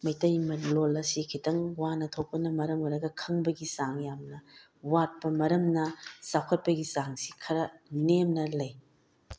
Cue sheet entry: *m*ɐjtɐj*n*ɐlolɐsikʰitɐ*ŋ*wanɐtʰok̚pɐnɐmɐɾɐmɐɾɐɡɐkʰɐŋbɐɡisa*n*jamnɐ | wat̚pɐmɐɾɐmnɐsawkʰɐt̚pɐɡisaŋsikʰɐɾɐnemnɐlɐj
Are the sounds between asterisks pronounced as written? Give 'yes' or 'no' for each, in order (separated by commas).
yes, no, yes, no